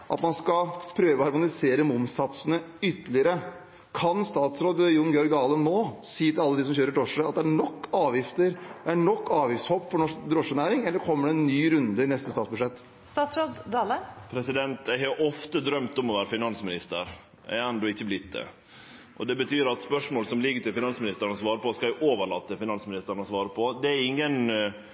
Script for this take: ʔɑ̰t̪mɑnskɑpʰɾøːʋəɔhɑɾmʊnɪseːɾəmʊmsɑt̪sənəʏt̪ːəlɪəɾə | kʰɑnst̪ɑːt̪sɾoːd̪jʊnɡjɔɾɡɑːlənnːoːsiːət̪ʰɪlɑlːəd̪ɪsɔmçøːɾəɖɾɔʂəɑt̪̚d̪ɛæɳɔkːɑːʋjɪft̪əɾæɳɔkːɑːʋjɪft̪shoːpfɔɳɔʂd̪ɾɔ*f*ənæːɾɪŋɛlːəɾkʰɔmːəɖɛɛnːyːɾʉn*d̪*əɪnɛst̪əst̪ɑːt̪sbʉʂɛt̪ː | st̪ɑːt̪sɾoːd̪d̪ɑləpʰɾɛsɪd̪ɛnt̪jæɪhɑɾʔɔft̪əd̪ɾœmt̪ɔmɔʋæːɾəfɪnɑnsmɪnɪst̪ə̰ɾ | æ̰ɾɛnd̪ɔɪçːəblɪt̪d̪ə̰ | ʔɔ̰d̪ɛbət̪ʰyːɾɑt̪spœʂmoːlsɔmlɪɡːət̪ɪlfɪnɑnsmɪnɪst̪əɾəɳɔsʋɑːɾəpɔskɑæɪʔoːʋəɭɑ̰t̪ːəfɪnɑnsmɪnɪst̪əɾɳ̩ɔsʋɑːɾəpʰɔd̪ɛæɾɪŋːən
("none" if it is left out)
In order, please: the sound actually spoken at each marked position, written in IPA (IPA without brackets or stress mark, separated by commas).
ʂ, d̪